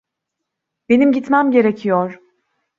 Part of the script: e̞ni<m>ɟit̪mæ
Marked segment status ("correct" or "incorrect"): correct